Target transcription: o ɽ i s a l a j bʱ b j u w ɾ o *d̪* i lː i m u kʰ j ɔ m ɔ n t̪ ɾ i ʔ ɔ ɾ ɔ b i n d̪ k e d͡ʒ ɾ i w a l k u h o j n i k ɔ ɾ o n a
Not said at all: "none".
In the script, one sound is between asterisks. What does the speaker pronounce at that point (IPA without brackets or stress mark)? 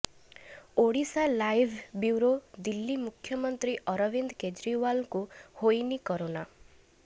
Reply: d̪